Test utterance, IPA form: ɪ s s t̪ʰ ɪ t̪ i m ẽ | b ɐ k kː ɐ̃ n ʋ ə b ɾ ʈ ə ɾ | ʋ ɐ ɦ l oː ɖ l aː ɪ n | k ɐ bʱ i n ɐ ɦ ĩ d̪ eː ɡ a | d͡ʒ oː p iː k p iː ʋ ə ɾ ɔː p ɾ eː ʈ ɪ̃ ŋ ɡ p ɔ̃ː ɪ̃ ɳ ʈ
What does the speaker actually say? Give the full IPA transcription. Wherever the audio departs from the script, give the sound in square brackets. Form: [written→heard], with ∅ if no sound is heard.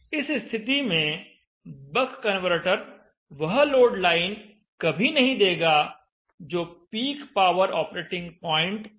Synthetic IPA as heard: ɪ s s t̪ʰ ɪ t̪ i m ẽ | b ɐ k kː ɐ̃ n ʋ ə [b→∅] ɾ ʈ ə ɾ | ʋ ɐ ɦ l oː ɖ l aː ɪ n | k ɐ bʱ i n ɐ ɦ ĩ d̪ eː ɡ a | d͡ʒ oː p iː k p [iː→aː] ʋ ə ɾ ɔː p ɾ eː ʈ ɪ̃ ŋ ɡ p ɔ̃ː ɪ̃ ɳ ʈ